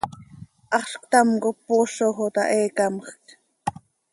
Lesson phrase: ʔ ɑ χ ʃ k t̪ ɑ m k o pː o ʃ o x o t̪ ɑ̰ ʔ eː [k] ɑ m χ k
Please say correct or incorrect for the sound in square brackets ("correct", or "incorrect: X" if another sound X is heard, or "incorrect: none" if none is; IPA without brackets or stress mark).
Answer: correct